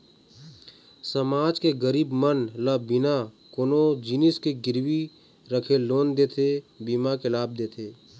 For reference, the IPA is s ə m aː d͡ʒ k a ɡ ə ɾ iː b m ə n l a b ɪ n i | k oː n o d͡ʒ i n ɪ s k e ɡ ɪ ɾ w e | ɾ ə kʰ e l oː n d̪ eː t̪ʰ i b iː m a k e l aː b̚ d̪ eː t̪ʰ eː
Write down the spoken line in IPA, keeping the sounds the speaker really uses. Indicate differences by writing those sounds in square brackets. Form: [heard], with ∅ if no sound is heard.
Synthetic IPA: s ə m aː d͡ʒ k [e] ɡ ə ɾ iː b m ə n l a b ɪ n [a] | k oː n o d͡ʒ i n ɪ s k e ɡ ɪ ɾ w [i] | ɾ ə kʰ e l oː n d̪ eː t̪ʰ [e] b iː m a k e l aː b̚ d̪ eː t̪ʰ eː

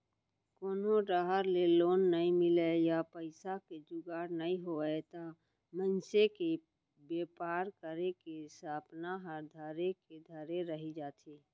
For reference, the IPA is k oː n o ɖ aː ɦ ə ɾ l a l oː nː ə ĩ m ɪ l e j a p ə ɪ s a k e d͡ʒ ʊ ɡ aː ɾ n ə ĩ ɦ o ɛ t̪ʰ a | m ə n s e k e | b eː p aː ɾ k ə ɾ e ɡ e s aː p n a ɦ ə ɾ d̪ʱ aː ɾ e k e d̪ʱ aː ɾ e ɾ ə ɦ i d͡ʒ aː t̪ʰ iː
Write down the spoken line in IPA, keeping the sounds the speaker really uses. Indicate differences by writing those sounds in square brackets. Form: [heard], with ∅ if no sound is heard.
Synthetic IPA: k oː n o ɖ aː ɦ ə ɾ l [e] l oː nː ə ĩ m ɪ l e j a p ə ɪ s a k e d͡ʒ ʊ ɡ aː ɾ n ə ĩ ɦ o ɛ [t̪] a | m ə n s e k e | b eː p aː ɾ k ə ɾ e [k] e s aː p n a ɦ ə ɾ d̪ʱ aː ɾ e k e d̪ʱ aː ɾ e ɾ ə ɦ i d͡ʒ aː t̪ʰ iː

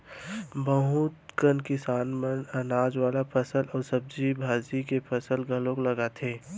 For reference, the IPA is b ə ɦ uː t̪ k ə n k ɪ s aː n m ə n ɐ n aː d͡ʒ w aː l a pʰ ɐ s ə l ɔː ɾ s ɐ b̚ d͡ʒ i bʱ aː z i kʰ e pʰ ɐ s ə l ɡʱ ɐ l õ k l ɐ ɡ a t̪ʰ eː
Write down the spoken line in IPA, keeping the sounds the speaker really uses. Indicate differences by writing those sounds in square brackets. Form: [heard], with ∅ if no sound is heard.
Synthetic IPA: b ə ɦ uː t̪ k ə n k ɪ s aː n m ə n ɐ n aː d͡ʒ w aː l a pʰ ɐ s ə l ɔː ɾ s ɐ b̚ d͡ʒ i bʱ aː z i [k] e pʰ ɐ s ə l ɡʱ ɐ l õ k l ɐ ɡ a t̪ʰ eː

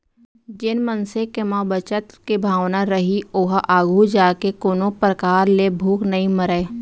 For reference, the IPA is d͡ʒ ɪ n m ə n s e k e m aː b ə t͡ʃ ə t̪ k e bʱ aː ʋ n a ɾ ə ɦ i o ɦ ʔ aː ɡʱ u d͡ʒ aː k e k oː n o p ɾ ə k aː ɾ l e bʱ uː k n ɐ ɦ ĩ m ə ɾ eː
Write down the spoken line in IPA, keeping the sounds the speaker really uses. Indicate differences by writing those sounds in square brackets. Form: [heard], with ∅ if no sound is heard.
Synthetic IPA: d͡ʒ ɪ n m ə n s e k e m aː b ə t͡ʃ ə t̪ k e bʱ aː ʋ n a ɾ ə ɦ i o ɦ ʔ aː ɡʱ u d͡ʒ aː k e k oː n o p ɾ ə k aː ɾ l e bʱ uː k n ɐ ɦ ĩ m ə ɾ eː

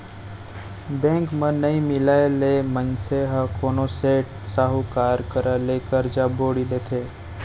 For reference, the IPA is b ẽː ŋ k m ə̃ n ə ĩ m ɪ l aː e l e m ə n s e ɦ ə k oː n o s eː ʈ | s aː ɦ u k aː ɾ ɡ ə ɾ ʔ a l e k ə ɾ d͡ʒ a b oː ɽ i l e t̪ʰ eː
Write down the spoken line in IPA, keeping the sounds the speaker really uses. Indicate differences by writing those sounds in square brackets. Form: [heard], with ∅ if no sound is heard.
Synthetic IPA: b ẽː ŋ k m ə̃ n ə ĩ m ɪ l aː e l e m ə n s e ɦ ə k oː n o s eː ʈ | s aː ɦ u k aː ɾ [k] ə ɾ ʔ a l e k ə ɾ d͡ʒ a b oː ɽ i l e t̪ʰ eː

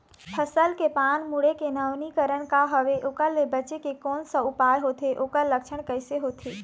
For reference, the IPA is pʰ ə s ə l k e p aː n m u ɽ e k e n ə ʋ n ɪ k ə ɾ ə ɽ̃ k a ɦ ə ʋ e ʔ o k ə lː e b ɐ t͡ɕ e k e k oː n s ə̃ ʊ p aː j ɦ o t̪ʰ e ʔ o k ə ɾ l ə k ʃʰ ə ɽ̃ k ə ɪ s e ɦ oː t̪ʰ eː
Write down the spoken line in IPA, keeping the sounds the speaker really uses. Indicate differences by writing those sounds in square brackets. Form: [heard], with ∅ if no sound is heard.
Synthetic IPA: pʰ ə s ə l k e p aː n m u ɽ e k e n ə ʋ n [i] k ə ɾ ə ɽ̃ k a ɦ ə ʋ e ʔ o k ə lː e b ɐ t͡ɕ e k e k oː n s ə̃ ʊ p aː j ɦ o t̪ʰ e ʔ o k ə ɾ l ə k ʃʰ ə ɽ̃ k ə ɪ s e ɦ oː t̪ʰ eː

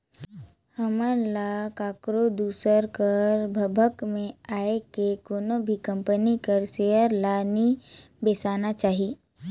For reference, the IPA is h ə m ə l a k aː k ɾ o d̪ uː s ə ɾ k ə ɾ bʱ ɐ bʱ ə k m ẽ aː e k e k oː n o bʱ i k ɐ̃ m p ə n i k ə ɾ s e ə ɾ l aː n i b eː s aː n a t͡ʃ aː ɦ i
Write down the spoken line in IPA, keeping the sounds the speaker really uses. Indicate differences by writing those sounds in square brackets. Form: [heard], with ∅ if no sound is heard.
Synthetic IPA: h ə m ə l a k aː k ɾ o d̪ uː s ə ɾ k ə ɾ bʱ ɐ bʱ ə k m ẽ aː e k e k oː n o bʱ i k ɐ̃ m p ə n i k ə ɾ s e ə ɾ l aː n i b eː s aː n a t͡ʃ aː ɦ i

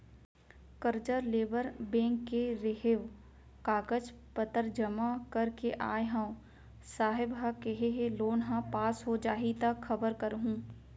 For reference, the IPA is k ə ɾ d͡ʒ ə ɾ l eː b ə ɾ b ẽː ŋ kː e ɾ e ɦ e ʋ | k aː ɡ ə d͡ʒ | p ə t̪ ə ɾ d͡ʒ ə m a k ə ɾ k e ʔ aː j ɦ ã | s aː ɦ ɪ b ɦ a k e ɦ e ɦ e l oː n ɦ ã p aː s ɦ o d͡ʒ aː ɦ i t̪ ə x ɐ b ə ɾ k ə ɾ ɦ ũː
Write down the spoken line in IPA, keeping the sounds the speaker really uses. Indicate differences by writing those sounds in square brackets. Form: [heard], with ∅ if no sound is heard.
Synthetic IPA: k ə ɾ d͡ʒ ə ɾ l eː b ə ɾ b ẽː ŋ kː e ɾ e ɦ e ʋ | k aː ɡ ə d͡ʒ | p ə t̪ ə ɾ d͡ʒ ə m a k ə ɾ k e ʔ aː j ɦ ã | s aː ɦ ɪ b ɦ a k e ɦ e ɦ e l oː n ɦ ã p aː s ɦ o d͡ʒ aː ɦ i t̪ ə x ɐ b ə ɾ k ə ɾ ɦ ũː

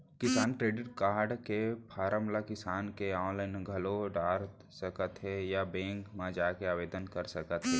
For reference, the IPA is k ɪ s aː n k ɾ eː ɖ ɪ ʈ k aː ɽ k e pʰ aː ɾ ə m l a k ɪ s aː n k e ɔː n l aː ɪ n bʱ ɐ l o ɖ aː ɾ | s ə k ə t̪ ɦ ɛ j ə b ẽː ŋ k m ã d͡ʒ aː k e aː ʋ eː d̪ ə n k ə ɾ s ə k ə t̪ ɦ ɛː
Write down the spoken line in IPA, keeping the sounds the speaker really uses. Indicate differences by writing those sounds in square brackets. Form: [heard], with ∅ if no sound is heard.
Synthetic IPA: k ɪ s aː n k ɾ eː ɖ ɪ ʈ k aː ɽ k e pʰ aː ɾ ə m l a k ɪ s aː n k e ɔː n l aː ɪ n [ɡʱ] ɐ l o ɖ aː ɾ | s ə k ə t̪ ɦ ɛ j [a] b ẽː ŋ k m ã d͡ʒ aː k e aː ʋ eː d̪ ə n k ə ɾ s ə k ə t̪ ɦ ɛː

